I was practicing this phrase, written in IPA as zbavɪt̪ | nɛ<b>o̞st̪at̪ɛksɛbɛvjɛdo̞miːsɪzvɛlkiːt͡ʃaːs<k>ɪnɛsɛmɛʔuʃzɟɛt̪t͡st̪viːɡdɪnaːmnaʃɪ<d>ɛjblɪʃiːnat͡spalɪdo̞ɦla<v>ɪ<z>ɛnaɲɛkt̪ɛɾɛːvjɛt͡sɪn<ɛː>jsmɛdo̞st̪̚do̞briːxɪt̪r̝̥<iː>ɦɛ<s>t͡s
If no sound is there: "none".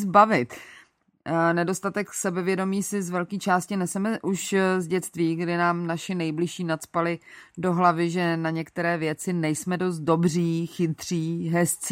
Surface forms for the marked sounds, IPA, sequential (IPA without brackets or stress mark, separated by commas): d, c, n, v, ʒ, ɛ, iː, s